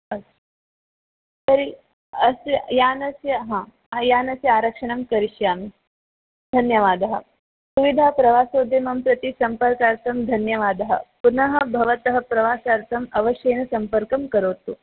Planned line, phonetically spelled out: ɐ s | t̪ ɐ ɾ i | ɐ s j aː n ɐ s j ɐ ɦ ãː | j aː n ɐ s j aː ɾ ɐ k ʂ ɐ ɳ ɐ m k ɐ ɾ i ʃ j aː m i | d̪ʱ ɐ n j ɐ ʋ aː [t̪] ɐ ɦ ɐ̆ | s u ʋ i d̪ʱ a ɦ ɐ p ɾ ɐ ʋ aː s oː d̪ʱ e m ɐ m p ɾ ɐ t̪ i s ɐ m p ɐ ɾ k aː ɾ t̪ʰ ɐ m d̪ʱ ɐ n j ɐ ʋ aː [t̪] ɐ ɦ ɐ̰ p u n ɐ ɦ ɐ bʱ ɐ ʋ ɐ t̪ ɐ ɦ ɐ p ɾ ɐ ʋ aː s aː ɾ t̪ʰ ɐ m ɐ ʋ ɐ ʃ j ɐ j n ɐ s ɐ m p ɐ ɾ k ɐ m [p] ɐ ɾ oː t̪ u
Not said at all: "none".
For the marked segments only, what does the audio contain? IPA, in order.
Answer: d̪, d̪, k

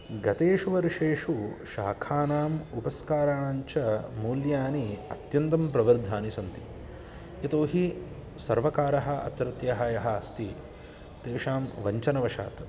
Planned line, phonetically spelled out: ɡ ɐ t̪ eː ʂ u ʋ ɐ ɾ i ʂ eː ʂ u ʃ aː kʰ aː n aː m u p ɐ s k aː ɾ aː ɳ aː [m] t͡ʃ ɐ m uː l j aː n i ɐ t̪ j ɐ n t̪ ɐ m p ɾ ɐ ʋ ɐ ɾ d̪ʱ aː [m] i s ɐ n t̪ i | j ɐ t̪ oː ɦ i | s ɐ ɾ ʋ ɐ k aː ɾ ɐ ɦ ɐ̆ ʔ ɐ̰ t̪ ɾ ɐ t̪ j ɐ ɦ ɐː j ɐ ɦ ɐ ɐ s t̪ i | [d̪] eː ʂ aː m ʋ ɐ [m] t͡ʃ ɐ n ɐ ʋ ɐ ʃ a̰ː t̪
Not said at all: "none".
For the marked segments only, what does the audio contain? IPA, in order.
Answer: ɲ, n, t̪, ɲ

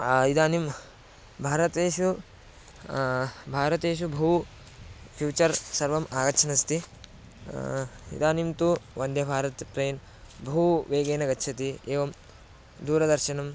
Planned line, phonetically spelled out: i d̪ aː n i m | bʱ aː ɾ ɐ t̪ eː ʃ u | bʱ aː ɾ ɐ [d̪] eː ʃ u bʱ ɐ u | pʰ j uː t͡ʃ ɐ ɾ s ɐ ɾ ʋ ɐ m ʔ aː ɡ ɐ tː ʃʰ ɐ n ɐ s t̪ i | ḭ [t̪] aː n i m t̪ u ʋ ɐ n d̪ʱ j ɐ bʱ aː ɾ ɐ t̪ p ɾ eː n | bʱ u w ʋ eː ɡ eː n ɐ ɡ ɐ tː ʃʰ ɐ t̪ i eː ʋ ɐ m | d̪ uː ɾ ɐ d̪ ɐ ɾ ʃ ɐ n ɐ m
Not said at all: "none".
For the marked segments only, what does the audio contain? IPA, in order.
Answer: t̪, d̪

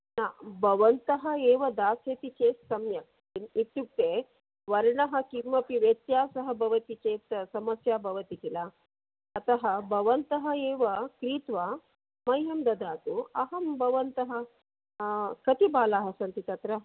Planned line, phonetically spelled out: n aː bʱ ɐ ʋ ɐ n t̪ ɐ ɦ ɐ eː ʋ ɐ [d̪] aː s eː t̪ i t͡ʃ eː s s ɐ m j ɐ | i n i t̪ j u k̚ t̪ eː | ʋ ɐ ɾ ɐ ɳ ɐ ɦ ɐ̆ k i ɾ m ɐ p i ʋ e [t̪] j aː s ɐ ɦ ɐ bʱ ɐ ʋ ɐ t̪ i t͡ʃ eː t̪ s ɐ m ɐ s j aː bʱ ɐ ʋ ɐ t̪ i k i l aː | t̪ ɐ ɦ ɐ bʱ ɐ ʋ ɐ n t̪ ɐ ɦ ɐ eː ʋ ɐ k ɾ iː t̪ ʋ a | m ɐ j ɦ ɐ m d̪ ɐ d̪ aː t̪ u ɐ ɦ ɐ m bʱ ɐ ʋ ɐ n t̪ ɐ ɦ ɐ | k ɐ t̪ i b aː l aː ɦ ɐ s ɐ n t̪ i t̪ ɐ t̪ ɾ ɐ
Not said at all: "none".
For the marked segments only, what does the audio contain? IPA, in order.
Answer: d̪, t̪

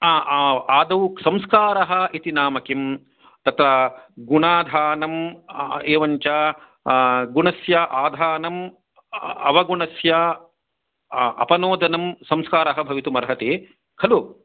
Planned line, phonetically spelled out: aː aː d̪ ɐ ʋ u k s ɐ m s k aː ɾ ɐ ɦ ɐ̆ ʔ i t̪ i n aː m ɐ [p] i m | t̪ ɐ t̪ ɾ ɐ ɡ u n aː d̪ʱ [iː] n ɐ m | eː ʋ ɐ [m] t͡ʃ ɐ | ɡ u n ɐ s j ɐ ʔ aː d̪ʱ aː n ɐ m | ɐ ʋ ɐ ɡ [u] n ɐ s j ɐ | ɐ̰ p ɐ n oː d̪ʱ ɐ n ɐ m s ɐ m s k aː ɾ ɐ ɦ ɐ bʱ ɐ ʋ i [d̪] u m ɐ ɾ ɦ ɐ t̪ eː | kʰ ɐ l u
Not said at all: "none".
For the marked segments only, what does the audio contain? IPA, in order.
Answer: k, aː, ɲ, u, t̪

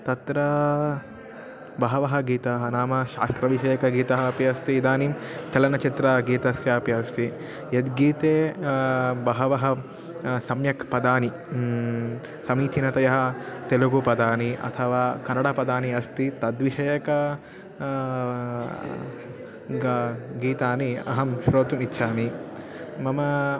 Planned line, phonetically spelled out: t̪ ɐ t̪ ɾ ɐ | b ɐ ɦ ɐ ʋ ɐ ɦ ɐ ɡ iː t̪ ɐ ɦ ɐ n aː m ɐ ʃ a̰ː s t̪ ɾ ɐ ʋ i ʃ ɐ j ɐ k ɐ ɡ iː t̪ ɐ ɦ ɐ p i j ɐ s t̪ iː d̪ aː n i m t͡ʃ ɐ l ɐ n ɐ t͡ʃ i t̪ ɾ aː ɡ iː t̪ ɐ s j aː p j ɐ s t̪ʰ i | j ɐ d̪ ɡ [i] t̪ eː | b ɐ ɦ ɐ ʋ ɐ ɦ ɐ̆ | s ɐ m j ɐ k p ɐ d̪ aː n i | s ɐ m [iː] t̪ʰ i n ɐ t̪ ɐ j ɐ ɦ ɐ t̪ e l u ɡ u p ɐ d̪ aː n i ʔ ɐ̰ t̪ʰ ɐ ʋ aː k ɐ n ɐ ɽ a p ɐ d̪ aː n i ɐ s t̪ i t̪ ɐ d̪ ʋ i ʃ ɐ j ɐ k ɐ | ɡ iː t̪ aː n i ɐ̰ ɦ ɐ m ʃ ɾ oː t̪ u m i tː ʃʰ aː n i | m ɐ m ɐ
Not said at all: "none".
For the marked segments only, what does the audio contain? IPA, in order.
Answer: iː, iː

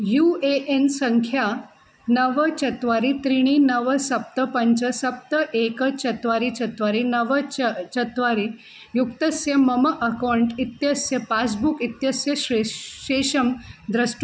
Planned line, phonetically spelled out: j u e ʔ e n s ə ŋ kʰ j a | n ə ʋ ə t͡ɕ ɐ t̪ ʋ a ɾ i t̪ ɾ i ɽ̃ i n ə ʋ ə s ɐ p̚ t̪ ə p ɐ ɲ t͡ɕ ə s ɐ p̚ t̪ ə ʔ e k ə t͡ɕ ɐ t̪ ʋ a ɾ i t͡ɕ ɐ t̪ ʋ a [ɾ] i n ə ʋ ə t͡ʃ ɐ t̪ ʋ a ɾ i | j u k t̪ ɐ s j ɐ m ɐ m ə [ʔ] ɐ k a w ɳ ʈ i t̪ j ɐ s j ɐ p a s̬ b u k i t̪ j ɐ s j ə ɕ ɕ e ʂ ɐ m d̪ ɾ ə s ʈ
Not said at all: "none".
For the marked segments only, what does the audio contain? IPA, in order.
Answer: ɾ, ʔ

